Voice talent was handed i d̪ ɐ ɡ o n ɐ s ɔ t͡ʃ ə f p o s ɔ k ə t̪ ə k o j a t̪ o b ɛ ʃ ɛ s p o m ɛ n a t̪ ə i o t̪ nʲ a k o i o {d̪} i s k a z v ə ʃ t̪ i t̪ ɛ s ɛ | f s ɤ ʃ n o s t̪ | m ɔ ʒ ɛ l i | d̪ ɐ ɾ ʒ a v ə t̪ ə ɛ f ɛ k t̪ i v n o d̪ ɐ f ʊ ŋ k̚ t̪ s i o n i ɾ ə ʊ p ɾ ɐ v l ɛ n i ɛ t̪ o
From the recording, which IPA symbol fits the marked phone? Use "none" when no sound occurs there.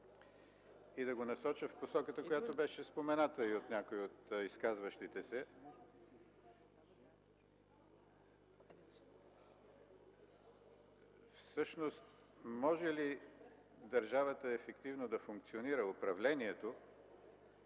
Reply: t̪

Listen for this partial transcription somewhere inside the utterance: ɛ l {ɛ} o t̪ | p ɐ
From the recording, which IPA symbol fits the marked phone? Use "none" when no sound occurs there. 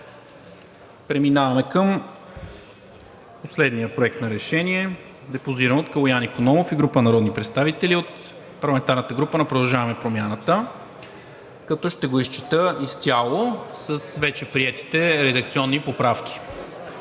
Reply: i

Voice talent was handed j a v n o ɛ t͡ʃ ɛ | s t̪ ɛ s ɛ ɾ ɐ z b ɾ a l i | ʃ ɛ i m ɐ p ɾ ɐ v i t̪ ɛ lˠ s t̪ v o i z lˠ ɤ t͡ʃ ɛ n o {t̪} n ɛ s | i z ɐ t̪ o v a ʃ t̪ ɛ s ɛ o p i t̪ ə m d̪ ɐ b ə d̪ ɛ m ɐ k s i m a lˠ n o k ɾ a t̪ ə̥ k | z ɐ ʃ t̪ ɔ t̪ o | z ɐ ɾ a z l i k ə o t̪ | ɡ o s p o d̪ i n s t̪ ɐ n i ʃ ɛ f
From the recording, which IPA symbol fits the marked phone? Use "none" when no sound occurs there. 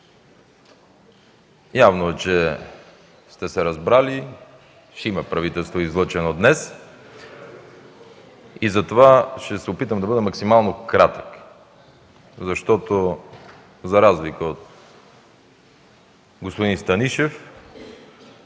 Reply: d̪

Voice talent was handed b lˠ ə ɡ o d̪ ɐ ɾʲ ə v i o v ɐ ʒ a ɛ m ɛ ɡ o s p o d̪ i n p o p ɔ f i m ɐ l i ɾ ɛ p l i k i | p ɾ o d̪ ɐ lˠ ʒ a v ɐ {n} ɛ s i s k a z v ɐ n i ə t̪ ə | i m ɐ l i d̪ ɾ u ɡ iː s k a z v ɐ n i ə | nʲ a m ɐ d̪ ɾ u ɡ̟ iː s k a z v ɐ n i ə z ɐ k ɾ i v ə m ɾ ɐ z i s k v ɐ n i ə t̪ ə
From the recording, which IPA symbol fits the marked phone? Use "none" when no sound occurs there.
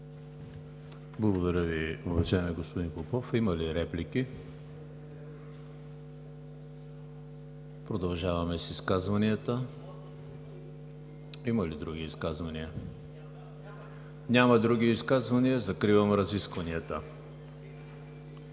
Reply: m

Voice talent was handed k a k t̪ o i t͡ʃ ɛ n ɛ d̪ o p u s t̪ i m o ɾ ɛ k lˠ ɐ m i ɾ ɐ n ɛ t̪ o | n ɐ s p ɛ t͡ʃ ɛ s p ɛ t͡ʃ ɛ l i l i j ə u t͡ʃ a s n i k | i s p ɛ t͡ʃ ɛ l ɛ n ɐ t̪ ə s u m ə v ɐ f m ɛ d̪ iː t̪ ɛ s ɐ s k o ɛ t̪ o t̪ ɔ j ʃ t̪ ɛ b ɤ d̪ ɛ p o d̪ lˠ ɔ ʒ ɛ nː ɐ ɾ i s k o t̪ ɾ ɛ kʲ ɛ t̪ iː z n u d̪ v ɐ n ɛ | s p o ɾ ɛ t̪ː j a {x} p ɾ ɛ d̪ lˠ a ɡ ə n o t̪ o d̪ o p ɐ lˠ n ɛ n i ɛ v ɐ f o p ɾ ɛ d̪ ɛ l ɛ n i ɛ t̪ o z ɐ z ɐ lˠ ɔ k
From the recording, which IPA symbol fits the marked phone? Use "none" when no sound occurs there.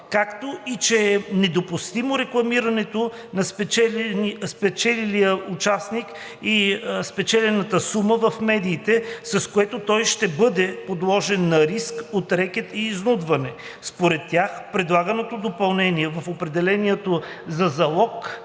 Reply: x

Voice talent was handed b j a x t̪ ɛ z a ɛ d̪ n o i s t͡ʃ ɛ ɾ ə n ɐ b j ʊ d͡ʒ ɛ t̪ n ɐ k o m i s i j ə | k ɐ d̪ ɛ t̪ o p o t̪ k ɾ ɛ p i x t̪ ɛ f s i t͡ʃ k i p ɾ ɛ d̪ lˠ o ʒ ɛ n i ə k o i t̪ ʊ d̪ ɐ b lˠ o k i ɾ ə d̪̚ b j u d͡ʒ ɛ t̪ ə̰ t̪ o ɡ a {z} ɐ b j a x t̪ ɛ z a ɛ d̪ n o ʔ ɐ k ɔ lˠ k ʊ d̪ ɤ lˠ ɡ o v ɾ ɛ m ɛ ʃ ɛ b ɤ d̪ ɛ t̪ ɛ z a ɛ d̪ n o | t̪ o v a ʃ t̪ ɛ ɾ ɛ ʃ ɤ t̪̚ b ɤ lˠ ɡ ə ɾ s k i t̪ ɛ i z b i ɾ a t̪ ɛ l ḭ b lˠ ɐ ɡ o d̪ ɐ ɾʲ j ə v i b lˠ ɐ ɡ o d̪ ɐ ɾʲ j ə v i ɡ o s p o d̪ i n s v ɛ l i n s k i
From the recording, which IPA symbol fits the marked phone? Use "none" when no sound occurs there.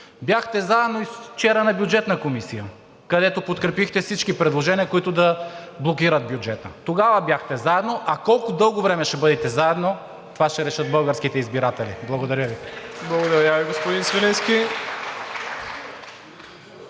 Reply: v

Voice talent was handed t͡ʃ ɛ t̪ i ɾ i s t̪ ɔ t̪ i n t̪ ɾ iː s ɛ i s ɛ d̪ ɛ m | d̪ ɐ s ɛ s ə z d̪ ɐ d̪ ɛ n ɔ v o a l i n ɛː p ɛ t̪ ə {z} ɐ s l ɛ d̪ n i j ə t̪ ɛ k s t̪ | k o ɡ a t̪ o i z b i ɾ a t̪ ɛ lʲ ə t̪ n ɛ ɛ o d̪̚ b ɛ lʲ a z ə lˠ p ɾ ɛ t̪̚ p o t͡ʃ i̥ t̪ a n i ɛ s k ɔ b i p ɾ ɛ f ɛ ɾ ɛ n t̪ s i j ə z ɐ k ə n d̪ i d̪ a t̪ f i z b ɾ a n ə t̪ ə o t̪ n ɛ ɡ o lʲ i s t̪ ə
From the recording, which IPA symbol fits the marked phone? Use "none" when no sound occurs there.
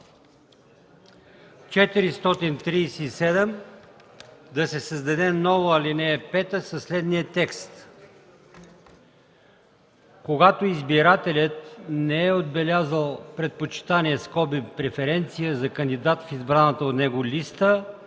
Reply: s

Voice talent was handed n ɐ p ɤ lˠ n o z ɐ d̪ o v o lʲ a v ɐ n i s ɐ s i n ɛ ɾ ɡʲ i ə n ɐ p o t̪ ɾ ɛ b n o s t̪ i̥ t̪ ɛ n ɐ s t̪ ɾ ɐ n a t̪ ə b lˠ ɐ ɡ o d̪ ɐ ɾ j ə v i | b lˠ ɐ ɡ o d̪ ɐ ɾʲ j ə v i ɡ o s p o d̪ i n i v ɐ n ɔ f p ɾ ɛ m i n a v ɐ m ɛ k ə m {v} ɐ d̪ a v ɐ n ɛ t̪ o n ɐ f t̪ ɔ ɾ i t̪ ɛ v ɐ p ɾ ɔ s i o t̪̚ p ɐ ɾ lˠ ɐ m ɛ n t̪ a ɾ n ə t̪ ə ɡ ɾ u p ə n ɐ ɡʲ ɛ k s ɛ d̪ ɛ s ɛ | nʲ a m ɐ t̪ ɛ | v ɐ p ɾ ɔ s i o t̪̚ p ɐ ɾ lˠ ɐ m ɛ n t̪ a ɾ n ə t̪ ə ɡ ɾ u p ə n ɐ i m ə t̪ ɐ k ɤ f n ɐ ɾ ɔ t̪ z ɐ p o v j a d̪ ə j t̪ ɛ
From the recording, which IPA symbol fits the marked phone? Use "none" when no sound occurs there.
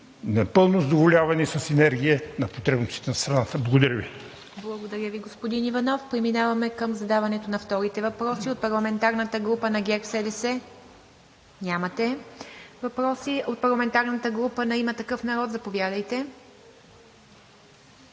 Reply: z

